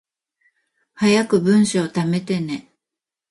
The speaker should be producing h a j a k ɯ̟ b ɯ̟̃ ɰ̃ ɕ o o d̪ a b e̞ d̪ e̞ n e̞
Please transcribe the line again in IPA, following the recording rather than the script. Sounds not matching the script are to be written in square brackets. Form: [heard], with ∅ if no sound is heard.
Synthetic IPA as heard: h a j a k ɯ̟ b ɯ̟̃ ɰ̃ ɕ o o [t̪] a [m] e̞ [t̪] e̞ n e̞